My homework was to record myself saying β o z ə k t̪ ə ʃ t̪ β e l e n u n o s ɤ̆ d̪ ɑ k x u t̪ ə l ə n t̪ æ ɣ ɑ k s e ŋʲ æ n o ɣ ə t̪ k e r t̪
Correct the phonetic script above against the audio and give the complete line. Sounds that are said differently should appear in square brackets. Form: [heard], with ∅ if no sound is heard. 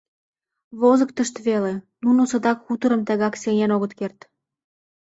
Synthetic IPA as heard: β o z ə k t̪ ə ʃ t̪ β e l e n u n o s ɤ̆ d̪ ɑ k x u t̪ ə [ɾ] ə [m] t̪ æ ɣ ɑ k s e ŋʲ æ n o ɣ ə t̪ k e r t̪